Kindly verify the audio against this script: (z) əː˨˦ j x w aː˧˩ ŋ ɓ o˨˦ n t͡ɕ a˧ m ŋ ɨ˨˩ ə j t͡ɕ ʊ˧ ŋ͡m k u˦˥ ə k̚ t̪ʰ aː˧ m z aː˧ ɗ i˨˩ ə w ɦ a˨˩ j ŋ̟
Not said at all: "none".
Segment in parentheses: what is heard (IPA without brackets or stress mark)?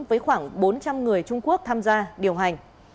v